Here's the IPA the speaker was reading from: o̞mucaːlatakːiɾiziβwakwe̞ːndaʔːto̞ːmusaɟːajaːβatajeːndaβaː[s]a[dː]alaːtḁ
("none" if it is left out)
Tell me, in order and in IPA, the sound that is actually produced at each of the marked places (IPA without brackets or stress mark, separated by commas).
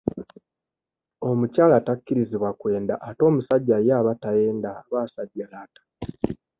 s, ɟː